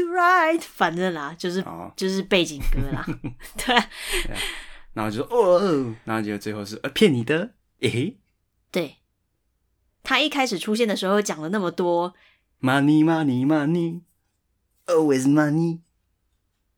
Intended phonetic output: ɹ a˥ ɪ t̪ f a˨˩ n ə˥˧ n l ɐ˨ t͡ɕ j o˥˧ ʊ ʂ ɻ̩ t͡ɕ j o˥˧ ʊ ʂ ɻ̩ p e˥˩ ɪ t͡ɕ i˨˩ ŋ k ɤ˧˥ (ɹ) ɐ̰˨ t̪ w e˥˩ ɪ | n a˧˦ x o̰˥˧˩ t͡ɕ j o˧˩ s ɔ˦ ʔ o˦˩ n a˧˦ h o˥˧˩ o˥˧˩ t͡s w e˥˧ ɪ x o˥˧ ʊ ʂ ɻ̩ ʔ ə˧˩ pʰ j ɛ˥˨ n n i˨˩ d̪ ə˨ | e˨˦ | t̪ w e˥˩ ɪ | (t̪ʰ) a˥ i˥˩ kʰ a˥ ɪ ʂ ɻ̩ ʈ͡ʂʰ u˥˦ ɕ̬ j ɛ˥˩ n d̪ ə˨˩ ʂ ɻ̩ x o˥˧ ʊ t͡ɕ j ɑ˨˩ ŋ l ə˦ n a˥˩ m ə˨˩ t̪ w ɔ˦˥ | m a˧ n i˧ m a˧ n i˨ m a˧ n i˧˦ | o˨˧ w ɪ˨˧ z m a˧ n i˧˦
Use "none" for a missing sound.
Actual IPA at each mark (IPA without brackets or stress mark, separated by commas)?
l, t̪ʰ